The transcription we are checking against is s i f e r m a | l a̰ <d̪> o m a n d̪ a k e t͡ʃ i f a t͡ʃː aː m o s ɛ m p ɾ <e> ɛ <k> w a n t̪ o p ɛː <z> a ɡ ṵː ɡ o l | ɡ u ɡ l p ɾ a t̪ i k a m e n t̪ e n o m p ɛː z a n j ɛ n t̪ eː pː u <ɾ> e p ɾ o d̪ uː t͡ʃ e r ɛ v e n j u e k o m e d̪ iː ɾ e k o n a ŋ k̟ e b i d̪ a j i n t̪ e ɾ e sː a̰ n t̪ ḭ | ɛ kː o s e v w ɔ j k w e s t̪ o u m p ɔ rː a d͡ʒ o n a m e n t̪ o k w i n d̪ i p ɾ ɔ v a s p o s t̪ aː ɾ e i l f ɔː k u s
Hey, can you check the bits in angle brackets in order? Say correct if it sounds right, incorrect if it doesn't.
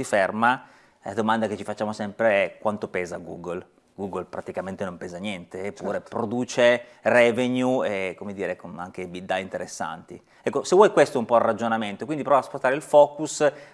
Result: correct, correct, correct, correct, correct

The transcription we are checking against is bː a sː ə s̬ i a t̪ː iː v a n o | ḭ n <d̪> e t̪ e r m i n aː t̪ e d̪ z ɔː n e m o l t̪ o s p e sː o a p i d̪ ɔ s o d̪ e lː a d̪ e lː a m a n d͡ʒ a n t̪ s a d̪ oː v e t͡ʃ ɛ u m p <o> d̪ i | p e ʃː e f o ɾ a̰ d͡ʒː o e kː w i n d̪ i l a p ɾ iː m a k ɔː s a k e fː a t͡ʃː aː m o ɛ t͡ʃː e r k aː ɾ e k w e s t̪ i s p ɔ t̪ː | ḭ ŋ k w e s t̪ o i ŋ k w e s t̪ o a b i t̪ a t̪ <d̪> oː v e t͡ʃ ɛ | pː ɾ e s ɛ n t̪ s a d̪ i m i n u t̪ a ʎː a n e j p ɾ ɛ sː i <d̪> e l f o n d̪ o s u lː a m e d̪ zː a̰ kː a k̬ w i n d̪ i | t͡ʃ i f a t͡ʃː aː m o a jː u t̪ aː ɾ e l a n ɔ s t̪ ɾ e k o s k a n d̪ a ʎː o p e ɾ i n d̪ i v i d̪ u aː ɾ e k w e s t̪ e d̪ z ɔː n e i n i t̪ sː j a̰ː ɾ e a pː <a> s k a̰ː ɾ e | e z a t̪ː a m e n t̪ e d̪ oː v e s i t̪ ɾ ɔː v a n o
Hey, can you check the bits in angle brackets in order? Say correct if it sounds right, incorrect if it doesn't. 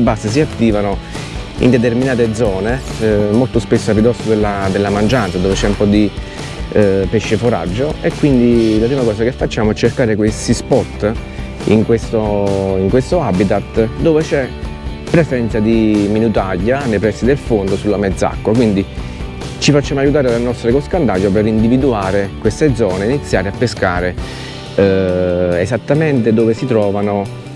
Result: correct, incorrect: ɔ, correct, correct, incorrect: e

